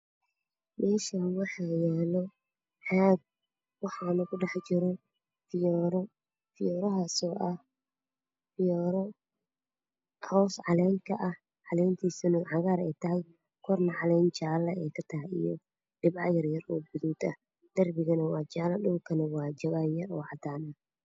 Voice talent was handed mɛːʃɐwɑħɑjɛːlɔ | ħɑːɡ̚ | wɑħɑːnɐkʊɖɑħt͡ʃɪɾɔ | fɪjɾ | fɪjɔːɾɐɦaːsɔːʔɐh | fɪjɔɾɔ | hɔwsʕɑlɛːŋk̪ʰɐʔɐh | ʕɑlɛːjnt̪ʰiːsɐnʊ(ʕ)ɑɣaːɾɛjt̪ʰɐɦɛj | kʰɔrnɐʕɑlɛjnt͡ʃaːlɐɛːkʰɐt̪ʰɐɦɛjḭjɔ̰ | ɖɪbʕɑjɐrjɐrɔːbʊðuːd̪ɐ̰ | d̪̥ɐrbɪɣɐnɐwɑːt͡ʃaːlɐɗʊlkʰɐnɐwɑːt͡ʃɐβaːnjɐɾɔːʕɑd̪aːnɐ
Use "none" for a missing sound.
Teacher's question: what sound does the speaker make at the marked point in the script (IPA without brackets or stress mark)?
ʕ